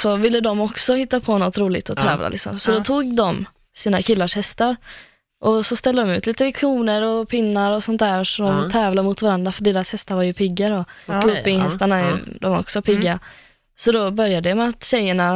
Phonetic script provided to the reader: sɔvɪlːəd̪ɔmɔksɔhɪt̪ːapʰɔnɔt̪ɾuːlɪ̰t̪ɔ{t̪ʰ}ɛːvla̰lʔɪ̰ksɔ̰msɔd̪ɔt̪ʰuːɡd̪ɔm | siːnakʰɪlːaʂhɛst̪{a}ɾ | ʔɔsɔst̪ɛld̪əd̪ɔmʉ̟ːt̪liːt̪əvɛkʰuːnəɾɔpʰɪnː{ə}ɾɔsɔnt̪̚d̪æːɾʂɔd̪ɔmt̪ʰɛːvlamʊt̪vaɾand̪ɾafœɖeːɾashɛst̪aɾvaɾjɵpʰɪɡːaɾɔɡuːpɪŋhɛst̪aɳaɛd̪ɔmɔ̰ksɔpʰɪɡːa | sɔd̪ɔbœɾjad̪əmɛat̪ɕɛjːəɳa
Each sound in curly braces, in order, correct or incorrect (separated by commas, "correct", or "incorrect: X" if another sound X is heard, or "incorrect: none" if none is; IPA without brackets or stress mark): correct, correct, incorrect: a